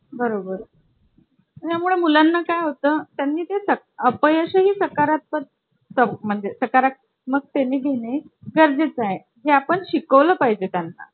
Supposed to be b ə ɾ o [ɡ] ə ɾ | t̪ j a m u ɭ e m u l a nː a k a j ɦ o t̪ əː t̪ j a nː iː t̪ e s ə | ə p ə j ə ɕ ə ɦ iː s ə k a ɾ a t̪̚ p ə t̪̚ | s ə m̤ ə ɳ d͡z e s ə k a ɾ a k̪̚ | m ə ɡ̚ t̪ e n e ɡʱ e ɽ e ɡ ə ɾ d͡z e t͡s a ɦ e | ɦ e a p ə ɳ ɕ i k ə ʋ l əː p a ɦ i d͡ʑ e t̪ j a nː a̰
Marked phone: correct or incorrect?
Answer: incorrect